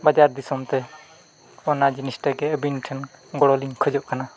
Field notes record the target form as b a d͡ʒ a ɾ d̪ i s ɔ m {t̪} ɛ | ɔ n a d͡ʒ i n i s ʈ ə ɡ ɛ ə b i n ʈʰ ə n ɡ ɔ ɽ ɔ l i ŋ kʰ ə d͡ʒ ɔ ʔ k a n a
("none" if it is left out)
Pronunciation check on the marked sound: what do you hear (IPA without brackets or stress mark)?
t̪